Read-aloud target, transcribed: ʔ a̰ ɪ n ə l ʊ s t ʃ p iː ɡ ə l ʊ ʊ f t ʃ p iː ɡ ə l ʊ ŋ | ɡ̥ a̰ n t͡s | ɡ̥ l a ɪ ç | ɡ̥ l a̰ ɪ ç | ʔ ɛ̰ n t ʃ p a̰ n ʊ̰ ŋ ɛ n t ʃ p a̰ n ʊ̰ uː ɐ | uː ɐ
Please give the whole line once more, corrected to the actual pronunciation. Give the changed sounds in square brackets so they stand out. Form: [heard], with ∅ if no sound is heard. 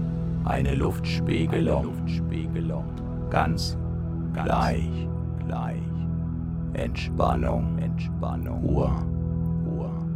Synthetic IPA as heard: ʔ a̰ ɪ n ə l ʊ [f] t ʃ p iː ɡ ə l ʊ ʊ f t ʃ p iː ɡ ə l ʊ ŋ | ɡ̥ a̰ n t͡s | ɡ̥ l a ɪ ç | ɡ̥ l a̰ ɪ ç | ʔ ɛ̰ n t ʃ p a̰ n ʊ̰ ŋ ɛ n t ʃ p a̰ n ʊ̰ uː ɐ | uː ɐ